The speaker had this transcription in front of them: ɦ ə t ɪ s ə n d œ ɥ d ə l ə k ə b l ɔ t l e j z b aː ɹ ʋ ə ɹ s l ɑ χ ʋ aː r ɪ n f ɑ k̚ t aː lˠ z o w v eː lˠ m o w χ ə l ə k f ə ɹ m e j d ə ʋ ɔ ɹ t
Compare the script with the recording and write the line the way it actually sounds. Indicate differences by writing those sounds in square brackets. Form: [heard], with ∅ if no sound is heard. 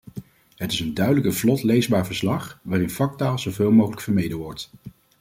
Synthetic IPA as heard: ɦ ə t ɪ s ə n d œ ɥ d ə l ə k ə [v] l ɔ t l e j z b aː ɹ [v] ə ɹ s l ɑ χ ʋ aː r ɪ n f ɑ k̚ t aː lˠ z o w v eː lˠ m o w χ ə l ə k f ə ɹ m e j d ə ʋ ɔ ɹ t